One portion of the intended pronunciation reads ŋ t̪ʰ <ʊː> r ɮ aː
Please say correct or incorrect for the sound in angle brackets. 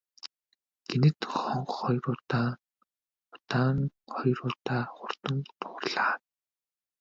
correct